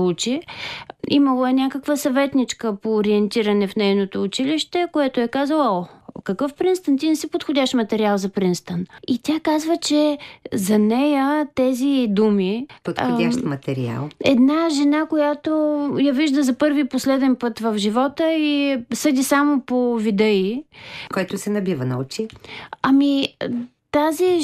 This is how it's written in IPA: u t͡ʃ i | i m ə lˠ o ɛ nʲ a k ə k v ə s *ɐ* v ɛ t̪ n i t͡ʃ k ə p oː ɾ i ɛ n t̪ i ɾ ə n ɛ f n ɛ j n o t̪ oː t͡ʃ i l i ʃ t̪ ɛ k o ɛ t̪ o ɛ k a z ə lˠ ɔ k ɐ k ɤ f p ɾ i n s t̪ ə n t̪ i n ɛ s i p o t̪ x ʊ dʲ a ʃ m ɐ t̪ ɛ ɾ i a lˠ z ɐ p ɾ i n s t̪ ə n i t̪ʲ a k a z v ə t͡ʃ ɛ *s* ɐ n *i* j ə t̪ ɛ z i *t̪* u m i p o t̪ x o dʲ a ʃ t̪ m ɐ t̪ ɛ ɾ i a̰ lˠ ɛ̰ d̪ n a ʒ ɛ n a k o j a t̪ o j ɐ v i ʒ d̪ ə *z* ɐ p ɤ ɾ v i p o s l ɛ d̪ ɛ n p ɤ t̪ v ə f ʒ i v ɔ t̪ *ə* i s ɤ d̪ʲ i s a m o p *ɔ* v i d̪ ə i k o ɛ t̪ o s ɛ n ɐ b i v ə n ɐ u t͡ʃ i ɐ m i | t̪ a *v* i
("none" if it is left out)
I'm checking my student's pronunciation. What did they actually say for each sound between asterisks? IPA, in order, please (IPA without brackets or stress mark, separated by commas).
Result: ɐ, z, ɛ, d̪, z, ə, o, z